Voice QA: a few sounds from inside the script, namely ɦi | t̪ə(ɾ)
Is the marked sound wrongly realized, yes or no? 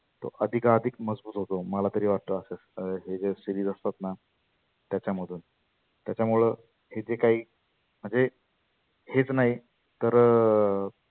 no